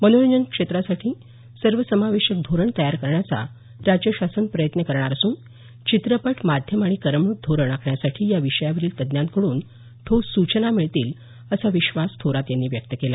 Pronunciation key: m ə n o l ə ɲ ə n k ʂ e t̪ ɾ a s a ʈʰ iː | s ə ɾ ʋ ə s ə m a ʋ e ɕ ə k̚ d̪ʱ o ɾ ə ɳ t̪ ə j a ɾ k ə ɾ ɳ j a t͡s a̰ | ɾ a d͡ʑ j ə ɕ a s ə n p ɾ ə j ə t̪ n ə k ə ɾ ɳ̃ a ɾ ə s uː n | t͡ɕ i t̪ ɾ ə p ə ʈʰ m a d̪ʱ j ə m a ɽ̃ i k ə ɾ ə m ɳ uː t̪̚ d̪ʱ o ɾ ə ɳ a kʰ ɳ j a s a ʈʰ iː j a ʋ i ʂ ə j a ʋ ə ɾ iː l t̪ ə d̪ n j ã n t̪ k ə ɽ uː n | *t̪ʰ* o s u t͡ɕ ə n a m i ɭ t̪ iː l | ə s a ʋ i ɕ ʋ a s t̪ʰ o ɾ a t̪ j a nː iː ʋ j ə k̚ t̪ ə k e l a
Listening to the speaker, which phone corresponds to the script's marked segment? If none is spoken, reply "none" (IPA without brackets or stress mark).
t̪ʰ